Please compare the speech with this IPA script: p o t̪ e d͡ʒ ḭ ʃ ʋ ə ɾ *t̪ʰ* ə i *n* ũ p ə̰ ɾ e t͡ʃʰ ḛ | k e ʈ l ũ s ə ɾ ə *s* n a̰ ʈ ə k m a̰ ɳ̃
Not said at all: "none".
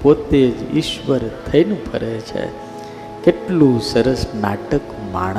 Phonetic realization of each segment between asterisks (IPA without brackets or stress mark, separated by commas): t̪ʰ, n, s